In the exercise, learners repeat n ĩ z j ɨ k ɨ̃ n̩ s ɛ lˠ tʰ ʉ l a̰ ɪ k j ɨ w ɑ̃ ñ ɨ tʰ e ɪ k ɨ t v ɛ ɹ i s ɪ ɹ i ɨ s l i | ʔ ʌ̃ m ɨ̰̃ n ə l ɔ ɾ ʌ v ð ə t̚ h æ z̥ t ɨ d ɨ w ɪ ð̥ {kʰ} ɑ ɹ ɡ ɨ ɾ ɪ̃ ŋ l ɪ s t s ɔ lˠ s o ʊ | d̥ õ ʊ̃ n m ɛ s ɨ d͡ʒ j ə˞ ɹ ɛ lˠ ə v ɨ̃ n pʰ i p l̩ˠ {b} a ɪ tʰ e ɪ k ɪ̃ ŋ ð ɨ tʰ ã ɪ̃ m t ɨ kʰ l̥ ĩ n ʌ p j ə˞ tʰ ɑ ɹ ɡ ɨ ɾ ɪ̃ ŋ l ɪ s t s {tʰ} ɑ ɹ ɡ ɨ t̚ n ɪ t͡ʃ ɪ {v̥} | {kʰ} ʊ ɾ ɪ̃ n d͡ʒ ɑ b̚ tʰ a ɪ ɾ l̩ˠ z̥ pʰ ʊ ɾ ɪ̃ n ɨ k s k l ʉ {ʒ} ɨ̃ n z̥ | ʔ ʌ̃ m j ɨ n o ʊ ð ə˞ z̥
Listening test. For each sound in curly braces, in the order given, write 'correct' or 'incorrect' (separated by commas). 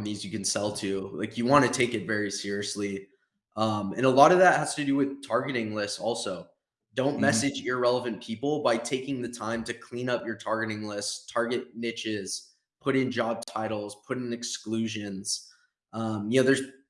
incorrect, correct, correct, incorrect, incorrect, correct